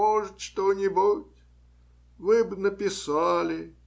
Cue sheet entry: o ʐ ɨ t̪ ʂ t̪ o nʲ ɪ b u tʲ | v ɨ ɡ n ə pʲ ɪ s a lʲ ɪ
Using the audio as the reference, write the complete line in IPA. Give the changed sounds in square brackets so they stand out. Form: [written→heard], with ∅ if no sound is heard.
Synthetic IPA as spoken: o ʐ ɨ t̪ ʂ t̪ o nʲ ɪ b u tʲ | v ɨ [ɡ→b] n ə pʲ ɪ s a lʲ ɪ